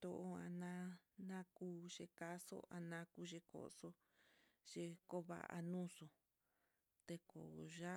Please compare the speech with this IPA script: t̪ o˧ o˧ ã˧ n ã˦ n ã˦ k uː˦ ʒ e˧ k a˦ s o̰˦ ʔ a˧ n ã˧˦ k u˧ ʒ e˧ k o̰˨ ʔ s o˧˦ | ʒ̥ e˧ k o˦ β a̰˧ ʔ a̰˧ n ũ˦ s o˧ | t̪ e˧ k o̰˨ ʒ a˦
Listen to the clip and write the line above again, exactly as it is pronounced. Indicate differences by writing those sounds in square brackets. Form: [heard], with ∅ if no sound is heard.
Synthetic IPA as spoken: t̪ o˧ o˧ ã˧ n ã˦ n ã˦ k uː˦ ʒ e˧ k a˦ s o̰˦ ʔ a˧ n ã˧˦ k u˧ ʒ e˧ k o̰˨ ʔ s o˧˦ | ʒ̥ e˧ k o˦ β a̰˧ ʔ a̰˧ n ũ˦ s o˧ | t̪ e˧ k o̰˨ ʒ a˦